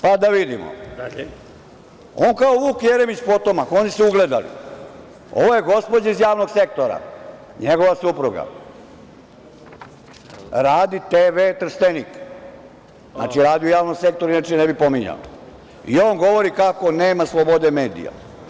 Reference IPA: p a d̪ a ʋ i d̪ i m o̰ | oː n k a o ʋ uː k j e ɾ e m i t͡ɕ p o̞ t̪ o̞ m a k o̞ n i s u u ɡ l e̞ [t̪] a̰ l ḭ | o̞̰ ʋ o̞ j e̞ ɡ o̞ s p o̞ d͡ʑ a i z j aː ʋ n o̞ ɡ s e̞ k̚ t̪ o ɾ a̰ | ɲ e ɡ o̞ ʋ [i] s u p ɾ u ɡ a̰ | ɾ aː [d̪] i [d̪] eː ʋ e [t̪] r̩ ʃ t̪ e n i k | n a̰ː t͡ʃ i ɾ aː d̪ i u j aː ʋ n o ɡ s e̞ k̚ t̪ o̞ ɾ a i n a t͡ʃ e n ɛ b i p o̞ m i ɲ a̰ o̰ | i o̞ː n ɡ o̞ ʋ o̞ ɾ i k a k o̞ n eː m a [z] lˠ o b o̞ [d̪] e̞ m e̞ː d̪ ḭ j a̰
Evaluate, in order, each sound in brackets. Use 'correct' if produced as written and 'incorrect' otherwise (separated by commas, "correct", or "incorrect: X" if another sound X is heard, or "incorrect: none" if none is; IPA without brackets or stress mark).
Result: incorrect: d̪, incorrect: a, correct, incorrect: t̪, correct, incorrect: s, correct